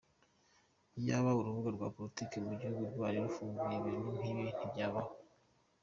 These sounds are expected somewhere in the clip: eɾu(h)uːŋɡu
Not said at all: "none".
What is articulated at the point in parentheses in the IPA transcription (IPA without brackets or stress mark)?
f